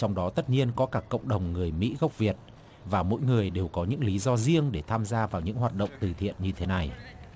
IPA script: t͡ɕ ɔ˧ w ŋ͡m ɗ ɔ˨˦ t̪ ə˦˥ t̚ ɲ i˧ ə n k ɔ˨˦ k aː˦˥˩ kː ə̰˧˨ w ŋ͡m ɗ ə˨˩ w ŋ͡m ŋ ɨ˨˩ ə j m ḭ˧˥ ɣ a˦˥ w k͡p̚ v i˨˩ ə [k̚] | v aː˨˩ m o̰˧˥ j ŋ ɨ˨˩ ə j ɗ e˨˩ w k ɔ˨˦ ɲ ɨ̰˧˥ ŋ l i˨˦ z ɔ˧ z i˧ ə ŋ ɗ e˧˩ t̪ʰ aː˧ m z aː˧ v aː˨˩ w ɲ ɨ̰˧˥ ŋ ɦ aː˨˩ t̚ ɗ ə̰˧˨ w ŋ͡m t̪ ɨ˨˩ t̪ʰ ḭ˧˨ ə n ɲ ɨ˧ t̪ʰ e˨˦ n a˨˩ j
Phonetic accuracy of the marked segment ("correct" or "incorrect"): incorrect